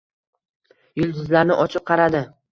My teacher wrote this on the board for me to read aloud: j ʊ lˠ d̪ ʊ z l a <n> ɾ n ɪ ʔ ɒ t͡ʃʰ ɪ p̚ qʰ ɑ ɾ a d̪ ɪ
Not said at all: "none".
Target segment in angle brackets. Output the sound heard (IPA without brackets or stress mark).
none